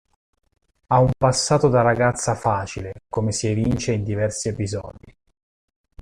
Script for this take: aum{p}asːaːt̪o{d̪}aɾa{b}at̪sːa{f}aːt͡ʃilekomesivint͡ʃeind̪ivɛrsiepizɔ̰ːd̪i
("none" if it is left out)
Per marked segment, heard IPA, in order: p, d̪, ɡ, f

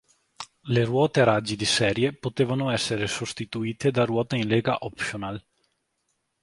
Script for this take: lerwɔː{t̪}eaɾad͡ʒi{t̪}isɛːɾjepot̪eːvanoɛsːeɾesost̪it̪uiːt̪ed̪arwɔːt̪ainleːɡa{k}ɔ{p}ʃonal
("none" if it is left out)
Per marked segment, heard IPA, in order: t̪, d̪, ʔ, p

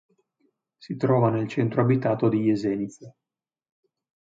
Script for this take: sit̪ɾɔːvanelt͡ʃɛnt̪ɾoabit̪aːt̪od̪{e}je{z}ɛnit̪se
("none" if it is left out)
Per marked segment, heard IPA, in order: i, z

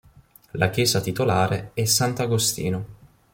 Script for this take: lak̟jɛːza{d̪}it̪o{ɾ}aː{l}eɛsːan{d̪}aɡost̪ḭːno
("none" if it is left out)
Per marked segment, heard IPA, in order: t̪, l, ɾ, t̪

